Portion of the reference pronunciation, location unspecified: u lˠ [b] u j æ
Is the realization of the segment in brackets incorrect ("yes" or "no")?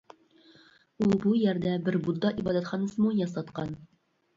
no